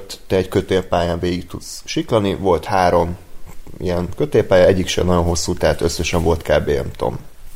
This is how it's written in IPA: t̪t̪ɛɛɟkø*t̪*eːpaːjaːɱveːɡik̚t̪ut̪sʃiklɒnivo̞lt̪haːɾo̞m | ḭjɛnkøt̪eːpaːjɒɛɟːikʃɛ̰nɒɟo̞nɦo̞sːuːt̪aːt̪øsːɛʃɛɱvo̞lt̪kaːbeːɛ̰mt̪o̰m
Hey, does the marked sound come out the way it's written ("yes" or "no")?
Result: yes